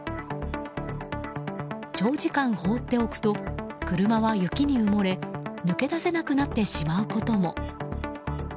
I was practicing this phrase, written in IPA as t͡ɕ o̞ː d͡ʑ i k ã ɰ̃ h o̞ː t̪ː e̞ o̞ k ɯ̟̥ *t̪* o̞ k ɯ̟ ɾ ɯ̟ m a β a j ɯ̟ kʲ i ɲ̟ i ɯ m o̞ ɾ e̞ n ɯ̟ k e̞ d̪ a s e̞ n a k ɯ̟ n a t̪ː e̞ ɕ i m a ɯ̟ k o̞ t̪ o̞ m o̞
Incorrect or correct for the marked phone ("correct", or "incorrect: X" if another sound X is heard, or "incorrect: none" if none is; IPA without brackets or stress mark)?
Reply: correct